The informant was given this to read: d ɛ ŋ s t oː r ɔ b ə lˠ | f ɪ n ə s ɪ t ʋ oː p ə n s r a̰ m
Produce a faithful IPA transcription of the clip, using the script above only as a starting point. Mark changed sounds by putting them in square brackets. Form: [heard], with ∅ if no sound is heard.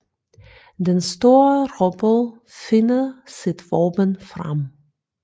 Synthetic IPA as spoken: d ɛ [n] s t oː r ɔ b ə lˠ | f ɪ n ə s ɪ t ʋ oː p ə n [f] r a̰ m